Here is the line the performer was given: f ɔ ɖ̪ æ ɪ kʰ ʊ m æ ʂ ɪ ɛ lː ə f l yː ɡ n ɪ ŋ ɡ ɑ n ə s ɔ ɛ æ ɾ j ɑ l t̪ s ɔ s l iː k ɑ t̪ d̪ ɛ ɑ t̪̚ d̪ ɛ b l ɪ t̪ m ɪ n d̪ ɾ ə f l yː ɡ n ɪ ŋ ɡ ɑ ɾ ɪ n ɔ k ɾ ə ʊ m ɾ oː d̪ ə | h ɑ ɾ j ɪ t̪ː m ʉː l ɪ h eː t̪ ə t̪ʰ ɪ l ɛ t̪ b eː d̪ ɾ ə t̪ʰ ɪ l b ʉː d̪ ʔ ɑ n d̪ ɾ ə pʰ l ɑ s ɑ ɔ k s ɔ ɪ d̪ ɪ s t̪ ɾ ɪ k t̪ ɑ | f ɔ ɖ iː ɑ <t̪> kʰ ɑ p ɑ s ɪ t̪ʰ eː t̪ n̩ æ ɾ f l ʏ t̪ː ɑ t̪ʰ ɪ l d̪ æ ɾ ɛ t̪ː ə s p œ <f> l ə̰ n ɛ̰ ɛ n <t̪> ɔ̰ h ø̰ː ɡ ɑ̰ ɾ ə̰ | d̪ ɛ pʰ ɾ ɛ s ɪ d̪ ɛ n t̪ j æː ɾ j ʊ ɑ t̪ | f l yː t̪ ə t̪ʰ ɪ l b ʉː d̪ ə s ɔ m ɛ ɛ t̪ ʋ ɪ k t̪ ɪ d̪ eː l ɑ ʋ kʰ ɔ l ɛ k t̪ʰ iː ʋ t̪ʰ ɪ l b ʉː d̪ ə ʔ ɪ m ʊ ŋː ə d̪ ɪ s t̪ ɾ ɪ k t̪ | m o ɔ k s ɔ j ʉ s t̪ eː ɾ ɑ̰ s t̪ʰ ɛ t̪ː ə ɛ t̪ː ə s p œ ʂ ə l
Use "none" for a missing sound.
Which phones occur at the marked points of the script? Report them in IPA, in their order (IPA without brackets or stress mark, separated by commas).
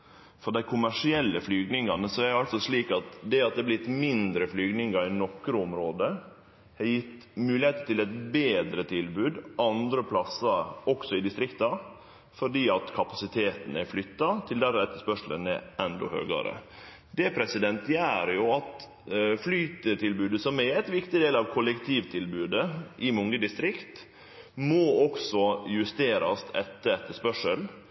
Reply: t̪, ʂ, d̪